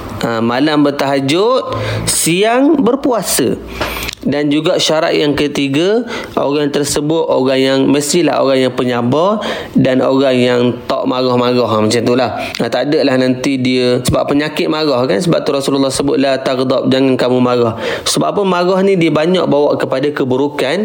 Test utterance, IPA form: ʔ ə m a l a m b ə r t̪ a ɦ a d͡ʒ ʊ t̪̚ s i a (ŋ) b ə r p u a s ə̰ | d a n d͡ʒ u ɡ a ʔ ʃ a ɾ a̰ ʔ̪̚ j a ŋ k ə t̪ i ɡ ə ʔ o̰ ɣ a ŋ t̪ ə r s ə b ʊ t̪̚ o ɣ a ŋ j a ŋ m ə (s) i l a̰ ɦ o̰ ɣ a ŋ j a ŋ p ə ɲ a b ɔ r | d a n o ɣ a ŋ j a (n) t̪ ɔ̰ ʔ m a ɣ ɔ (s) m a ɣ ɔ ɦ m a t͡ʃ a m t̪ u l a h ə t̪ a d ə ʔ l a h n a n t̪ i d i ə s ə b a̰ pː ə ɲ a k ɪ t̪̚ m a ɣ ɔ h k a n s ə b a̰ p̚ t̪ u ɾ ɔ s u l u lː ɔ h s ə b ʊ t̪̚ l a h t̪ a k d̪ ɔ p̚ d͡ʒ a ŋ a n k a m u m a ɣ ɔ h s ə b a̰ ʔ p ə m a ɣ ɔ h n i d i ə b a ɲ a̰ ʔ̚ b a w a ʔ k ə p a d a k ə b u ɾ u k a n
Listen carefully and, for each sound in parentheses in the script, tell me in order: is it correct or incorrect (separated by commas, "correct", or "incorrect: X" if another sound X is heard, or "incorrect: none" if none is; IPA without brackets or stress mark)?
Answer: correct, correct, incorrect: ŋ, incorrect: h